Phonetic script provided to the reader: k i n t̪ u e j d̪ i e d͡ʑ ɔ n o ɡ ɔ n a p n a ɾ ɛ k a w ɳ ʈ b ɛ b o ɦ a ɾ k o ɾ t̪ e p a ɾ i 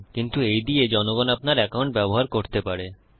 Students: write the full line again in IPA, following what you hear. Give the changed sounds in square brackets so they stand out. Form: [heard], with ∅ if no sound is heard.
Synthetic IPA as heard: k i n t̪ u e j d̪ i e d͡ʑ ɔ n o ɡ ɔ n a p n a ɾ ɛ k a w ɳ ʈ b ɛ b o ɦ a ɾ k o ɾ t̪ e p a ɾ [e]